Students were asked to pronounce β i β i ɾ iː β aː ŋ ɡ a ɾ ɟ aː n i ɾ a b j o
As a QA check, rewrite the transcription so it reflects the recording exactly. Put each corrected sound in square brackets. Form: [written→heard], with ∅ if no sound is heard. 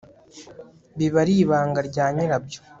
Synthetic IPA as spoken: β i β [i→a] ɾ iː β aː ŋ ɡ a ɾ ɟ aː [n→ɲ] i ɾ a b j o